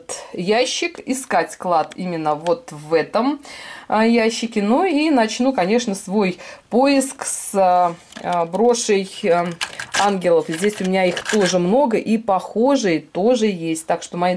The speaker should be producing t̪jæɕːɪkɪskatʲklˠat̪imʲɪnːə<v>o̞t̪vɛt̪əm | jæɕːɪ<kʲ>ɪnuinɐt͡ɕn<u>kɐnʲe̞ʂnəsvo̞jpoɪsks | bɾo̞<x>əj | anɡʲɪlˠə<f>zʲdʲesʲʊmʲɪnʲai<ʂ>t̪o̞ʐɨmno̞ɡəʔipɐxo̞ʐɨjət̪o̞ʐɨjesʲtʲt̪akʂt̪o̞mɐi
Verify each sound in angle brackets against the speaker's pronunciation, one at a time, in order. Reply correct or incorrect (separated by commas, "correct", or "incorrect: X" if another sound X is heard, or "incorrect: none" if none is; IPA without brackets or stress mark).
correct, correct, correct, incorrect: ʂ, correct, incorrect: x